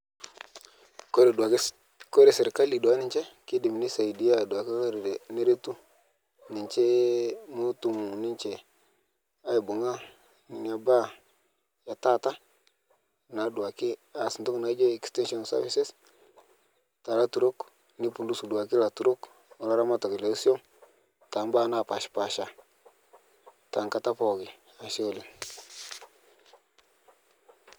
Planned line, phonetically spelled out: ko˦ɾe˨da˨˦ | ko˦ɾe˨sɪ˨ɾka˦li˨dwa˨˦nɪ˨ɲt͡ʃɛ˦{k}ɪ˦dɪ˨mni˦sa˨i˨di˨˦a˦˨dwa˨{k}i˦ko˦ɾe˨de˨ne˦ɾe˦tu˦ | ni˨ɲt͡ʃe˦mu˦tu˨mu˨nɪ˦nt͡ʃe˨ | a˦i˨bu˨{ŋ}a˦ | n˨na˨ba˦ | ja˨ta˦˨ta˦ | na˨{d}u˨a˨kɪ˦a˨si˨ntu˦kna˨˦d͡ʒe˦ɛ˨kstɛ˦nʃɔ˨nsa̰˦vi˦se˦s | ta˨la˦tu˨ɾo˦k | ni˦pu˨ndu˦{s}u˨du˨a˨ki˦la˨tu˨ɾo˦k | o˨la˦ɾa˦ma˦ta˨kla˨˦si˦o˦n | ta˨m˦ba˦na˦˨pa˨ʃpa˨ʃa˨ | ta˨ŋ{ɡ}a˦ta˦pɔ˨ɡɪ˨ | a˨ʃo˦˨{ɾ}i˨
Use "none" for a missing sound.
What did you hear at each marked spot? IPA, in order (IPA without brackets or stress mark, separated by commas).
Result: k, k, ŋ, d, s, k, l